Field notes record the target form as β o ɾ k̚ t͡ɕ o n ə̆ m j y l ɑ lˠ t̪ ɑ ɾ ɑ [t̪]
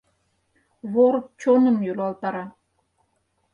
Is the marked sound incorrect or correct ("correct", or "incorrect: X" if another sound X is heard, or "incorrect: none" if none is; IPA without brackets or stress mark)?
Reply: incorrect: none